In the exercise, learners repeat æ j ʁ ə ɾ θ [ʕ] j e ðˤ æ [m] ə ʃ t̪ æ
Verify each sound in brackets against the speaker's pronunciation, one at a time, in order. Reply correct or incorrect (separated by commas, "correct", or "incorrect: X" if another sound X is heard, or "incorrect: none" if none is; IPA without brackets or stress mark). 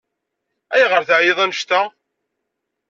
correct, incorrect: n